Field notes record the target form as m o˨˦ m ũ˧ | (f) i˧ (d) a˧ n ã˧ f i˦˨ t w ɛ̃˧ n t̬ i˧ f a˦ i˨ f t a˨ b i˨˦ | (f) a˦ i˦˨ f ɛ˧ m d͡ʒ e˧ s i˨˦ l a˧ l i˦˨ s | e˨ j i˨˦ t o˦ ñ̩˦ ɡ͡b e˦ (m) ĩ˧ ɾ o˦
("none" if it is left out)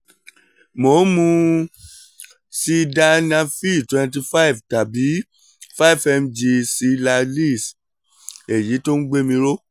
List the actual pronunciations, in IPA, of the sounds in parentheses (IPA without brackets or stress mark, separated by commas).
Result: s, d, f, m